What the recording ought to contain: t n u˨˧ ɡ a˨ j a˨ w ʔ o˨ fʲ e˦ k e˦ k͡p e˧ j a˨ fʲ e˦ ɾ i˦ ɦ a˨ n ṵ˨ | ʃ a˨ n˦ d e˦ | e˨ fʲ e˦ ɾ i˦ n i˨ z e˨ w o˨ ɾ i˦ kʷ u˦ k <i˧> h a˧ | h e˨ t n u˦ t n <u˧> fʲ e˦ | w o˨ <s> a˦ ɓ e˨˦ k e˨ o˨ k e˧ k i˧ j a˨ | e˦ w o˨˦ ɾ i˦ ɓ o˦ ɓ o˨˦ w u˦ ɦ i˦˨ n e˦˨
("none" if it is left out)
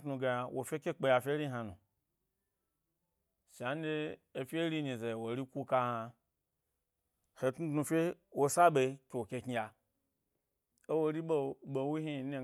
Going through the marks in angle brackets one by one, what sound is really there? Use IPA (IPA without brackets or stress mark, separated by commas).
a˧, u˧, s